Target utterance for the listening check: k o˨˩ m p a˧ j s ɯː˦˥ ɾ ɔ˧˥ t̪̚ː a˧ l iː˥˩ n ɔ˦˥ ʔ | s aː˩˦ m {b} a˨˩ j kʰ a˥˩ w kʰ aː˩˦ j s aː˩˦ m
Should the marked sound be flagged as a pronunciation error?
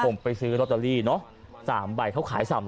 no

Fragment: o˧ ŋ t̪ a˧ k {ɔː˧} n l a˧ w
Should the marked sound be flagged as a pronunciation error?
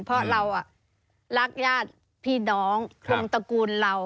yes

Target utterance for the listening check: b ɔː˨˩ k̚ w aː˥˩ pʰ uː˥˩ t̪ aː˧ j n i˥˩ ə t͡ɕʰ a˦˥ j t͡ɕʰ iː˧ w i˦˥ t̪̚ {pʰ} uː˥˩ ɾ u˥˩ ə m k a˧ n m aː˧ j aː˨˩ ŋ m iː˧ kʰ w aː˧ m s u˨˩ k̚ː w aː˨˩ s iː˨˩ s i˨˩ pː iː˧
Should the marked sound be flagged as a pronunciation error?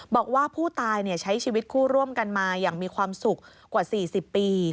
yes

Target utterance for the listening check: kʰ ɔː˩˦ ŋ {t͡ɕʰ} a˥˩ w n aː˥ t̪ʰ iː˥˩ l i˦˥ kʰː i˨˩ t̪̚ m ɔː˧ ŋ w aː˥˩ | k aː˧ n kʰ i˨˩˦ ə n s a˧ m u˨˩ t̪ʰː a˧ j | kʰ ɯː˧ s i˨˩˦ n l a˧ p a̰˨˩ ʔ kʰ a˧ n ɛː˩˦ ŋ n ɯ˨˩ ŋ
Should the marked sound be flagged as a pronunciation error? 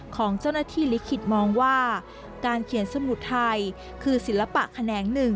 yes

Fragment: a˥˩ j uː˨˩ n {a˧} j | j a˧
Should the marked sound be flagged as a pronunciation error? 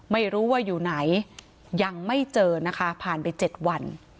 yes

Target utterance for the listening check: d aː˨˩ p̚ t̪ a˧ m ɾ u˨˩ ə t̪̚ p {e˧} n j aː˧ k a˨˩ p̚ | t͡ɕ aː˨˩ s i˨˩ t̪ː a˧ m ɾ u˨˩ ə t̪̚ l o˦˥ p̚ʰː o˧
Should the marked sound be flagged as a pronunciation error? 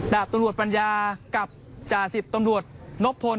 yes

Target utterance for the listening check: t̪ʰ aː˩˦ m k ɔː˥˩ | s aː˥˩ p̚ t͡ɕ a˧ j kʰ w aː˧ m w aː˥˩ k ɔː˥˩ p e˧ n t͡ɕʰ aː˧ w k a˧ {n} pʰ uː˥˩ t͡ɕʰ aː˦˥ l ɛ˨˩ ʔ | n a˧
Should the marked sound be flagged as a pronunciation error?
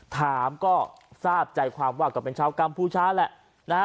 yes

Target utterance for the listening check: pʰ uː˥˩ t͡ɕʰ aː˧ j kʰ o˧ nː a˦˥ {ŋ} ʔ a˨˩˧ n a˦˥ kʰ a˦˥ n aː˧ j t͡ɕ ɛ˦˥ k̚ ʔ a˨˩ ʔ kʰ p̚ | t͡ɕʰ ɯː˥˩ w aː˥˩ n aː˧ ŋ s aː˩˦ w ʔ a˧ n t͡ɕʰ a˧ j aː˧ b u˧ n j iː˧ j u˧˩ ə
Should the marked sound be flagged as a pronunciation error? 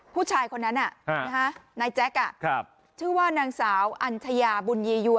yes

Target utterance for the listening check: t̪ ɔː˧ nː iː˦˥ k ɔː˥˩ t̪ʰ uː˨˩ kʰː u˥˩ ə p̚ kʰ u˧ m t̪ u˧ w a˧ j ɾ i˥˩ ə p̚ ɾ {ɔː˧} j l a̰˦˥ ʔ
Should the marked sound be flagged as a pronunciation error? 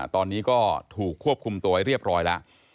yes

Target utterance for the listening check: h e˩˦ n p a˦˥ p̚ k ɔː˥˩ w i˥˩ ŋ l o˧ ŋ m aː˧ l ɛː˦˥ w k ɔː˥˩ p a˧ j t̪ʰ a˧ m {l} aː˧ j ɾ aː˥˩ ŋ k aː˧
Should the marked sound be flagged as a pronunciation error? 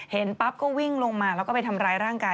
yes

